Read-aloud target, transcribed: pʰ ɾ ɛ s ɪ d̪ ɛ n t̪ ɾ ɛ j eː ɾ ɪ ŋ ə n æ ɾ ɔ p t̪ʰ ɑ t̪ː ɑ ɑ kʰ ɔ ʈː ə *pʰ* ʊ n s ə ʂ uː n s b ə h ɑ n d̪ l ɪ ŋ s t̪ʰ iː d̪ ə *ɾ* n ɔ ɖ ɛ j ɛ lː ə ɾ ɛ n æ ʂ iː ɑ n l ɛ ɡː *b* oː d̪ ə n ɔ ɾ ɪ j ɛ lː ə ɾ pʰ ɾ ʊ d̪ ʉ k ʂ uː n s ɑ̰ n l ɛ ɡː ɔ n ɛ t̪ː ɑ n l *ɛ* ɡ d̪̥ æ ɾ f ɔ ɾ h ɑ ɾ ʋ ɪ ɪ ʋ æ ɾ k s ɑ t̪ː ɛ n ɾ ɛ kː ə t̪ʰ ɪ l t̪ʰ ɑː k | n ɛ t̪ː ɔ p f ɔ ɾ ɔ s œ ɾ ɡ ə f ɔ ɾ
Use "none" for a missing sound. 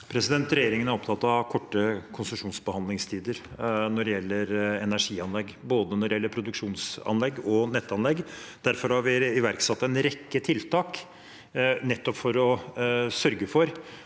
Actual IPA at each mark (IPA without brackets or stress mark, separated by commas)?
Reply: kʰ, ɾ, b, ɛ